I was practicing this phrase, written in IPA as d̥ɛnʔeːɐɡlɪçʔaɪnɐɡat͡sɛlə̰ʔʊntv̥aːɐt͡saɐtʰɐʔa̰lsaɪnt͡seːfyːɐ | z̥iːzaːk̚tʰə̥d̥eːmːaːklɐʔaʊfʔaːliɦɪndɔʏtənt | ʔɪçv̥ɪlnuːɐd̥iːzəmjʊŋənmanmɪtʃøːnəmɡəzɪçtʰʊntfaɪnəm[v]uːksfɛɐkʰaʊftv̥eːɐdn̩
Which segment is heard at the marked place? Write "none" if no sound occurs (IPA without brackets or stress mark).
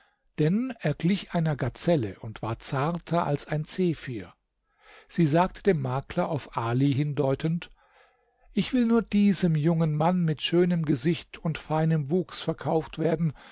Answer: v